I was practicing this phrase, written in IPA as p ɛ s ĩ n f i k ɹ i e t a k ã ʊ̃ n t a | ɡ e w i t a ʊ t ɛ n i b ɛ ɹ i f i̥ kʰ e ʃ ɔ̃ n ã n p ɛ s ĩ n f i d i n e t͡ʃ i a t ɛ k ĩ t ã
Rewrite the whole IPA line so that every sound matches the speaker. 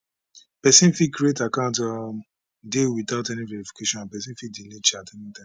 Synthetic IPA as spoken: p ɛ s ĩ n f i k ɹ i e t a k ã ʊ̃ n t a | d e w i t a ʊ t ɛ n i v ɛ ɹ i f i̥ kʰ e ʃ ɔ̃ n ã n p ɛ s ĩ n f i d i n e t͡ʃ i a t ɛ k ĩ t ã